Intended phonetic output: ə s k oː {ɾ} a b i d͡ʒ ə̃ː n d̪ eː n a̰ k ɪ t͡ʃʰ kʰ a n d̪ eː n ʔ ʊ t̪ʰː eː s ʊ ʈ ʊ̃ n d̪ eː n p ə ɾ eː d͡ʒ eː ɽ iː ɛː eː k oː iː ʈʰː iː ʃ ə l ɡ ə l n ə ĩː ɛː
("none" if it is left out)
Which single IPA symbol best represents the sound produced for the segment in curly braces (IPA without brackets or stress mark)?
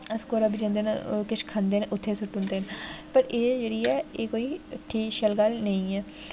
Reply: ɾ